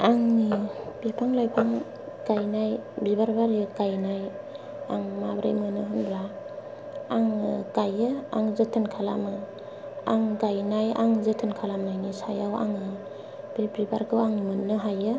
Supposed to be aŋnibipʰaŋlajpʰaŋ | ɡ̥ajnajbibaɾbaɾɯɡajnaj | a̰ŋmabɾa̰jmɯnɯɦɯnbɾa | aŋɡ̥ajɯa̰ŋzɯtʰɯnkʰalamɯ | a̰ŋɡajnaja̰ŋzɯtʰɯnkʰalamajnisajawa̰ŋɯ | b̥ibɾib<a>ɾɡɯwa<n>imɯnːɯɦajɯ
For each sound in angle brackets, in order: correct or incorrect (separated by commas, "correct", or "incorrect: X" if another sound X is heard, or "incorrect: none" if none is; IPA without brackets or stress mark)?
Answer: correct, incorrect: ŋ